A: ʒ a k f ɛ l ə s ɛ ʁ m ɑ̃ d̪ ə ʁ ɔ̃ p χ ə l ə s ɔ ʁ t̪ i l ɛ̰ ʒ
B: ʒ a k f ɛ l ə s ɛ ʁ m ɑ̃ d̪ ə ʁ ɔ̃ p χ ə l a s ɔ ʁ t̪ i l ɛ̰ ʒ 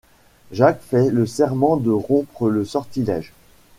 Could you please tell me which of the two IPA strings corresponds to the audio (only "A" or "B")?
A